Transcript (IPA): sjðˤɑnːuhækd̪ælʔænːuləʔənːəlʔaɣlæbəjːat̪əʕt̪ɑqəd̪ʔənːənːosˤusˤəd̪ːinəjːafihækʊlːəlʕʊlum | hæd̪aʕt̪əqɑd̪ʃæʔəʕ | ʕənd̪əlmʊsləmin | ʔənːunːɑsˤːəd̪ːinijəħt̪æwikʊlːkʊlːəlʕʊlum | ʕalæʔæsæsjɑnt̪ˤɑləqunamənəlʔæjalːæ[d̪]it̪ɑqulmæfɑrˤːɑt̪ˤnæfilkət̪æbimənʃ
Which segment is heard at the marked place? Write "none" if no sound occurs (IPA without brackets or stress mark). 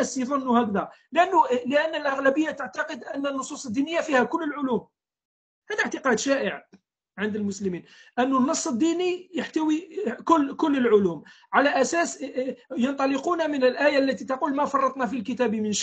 t̪